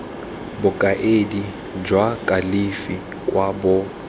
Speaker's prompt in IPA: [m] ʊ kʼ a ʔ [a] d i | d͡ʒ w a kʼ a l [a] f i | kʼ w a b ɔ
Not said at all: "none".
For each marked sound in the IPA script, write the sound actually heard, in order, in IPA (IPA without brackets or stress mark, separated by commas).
b, e, i